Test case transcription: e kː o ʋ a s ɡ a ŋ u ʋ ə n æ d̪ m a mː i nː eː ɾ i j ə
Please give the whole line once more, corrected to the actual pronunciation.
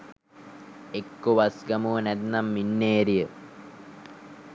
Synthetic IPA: e kː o ʋ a s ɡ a m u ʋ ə n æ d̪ n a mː i nː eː ɾ i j ə